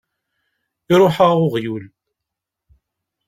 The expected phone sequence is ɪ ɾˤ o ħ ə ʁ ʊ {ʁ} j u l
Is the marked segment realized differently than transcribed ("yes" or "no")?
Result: no